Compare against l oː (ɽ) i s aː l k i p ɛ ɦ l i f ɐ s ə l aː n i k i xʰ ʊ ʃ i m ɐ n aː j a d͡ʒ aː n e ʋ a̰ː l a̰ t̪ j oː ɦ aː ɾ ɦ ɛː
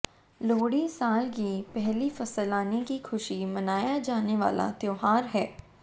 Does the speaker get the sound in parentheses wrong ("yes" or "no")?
no